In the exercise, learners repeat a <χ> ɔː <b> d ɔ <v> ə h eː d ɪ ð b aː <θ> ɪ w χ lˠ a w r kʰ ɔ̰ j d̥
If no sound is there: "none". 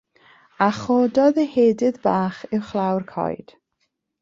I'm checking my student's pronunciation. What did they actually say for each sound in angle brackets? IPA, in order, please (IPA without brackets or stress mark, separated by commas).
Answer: χ, none, ð, χ